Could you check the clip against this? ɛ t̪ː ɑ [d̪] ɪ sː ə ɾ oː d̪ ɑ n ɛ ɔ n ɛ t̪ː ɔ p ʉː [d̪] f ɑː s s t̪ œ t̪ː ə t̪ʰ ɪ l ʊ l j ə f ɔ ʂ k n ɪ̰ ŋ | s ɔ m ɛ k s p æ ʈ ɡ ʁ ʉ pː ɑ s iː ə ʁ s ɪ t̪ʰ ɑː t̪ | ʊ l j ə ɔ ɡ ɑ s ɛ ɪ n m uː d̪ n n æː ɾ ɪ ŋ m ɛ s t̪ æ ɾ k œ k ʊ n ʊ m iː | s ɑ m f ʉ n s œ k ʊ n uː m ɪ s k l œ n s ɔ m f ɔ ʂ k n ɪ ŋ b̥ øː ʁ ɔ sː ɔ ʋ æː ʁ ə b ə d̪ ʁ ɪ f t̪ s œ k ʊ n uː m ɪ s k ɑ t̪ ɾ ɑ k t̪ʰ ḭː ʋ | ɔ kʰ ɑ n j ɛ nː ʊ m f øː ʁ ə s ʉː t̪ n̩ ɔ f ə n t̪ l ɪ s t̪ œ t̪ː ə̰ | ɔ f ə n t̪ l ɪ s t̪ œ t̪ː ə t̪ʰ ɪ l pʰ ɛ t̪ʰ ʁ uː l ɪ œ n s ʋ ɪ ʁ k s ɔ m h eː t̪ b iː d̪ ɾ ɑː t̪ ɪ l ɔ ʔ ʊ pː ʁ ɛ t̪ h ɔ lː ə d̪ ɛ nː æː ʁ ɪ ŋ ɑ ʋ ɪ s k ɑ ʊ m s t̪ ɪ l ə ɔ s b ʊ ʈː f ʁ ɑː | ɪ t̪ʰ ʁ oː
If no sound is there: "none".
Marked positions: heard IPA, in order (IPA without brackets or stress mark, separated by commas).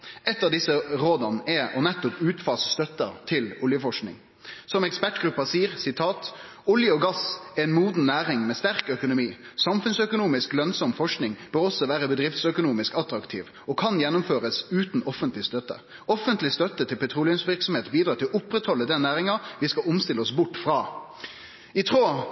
d̪, t̪